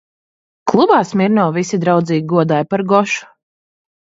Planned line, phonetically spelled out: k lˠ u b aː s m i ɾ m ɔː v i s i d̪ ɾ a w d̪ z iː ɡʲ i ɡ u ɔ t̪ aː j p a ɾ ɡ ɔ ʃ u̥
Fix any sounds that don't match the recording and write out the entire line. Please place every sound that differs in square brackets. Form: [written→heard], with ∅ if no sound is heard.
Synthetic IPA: k lˠ u b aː s m i ɾ [m→n] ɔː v i s i d̪ ɾ a w d̪ z iː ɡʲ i ɡ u ɔ [t̪→d̪] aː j p a ɾ ɡ ɔ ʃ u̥